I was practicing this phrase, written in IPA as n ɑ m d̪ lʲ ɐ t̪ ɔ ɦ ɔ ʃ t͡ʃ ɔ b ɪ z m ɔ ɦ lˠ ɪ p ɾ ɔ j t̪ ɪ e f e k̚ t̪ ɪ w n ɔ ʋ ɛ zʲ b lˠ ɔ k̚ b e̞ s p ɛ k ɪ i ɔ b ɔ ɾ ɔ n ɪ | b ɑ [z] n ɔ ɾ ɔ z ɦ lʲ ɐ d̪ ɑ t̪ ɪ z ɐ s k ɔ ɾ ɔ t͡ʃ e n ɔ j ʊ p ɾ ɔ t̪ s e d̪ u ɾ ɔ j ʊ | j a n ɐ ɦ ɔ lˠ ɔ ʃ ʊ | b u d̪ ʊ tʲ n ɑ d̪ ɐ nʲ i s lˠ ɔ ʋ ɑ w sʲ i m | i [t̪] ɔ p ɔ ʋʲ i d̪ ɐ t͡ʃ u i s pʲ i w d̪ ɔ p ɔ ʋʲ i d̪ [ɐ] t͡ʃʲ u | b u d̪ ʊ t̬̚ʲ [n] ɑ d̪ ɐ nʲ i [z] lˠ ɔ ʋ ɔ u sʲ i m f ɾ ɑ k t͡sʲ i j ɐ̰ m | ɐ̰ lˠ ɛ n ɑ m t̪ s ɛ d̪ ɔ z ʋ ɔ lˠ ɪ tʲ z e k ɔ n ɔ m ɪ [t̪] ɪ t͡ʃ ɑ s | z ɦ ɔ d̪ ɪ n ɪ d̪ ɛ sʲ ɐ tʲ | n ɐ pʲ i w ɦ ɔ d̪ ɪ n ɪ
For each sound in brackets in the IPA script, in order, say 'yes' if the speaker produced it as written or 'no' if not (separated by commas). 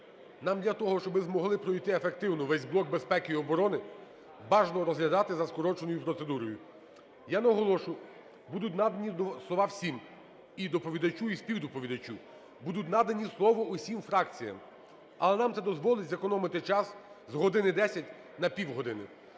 no, no, yes, yes, no, yes